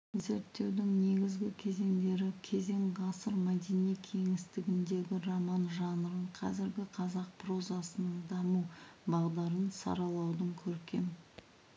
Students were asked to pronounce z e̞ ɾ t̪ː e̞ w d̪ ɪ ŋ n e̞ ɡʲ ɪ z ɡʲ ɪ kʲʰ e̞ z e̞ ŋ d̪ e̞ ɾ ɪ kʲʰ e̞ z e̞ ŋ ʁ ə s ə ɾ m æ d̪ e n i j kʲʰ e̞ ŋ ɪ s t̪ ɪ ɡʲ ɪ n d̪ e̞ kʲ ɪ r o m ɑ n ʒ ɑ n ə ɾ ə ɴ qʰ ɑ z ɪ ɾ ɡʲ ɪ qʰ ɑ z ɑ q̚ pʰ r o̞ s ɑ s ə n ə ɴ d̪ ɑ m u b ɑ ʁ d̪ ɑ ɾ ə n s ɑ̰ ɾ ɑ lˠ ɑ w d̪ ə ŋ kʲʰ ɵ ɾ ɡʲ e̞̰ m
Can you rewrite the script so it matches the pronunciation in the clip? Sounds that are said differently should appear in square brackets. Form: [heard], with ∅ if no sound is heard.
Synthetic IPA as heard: z e̞ ɾ t̪ː e̞ w d̪ ɪ ŋ n e̞ ɡʲ ɪ z ɡʲ ɪ kʲʰ e̞ z e̞ ŋ d̪ e̞ ɾ ɪ kʲʰ e̞ z e̞ ŋ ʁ [ɑ] s ə ɾ m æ d̪ e n i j kʲʰ e̞ ŋ ɪ s t̪ ɪ ɡʲ ɪ n d̪ e̞ [ɡʲ] ɪ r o m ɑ n ʒ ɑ n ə ɾ ə ɴ qʰ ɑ z ɪ ɾ ɡʲ ɪ qʰ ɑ z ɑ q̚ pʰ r o̞ [z] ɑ s ə n ə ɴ d̪ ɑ m u b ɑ ʁ d̪ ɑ ɾ ə n s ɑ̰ ɾ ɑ lˠ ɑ w d̪ ə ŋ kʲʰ ɵ ɾ [kʲ] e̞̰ m